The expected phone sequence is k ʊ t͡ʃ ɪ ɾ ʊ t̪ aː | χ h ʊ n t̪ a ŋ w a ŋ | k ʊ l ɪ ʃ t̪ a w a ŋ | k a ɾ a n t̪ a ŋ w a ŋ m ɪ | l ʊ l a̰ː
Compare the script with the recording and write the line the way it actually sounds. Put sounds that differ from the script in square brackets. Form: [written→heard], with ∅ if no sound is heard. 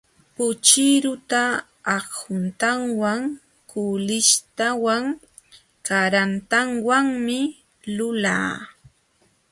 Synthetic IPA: [k→p] ʊ t͡ʃ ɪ ɾ ʊ t̪ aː | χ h ʊ n t̪ a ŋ w a ŋ | k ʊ l ɪ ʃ t̪ a w a ŋ | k a ɾ a n t̪ a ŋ w a ŋ m ɪ | l ʊ l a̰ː

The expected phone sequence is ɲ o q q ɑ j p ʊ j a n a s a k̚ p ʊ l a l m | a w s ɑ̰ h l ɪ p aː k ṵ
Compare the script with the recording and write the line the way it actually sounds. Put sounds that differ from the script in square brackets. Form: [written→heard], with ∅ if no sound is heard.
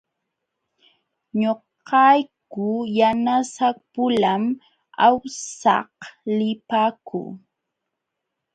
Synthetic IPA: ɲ o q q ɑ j [p→k] ʊ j a n a s a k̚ p ʊ l a [l→∅] m | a w s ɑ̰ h l ɪ p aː k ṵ

